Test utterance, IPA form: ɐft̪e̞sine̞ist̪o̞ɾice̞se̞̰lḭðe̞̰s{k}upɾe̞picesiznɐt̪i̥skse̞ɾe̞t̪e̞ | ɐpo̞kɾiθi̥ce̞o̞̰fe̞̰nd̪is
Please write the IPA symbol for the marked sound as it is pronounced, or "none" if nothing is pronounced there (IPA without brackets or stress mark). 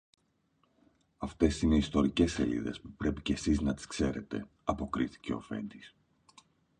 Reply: p